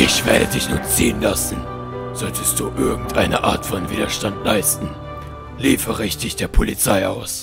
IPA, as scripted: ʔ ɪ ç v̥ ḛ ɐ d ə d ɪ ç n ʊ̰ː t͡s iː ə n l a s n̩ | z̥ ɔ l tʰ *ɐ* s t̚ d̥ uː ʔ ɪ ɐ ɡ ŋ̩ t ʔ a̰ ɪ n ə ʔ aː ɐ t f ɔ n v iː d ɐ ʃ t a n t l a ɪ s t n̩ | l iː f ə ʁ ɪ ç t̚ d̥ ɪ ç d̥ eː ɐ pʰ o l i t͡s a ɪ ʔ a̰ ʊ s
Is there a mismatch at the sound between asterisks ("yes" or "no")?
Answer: yes